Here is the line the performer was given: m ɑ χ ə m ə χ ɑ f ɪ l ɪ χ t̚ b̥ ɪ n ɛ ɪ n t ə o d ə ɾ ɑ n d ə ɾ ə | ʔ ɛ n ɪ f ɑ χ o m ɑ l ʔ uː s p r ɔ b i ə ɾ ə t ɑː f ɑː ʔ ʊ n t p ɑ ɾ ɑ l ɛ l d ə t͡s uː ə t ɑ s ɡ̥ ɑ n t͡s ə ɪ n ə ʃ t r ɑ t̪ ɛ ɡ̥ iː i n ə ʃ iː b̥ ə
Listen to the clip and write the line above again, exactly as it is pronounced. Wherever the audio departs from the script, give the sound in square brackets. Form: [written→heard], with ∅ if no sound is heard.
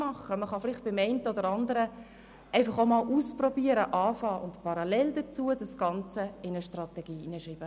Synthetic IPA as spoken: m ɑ χ ə m ə χ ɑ f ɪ l ɪ χ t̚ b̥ ɪ [n→m] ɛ ɪ n t ə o d ə ɾ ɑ n d ə ɾ ə | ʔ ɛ [n→∅] ɪ f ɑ χ o m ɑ l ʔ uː s p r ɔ b i ə ɾ ə [t→ʔ] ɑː f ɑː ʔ ʊ n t p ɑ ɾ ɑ l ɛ l d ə t͡s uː ə [t→d] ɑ s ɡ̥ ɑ n t͡s ə ɪ n ə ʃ t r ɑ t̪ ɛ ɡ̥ iː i n ə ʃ iː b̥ ə